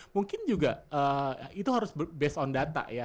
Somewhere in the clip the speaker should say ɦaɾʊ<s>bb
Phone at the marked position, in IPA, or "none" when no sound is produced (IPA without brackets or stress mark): s